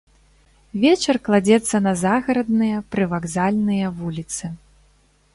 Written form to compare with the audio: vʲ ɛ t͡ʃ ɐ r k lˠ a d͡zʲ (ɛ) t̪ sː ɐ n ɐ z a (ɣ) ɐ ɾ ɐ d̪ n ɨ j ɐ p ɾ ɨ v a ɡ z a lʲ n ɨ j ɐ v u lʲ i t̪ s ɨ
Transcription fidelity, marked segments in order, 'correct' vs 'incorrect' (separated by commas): correct, correct